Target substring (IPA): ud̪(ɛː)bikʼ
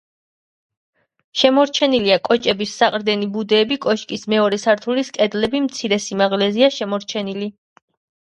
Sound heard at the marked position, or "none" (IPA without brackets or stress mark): ɛː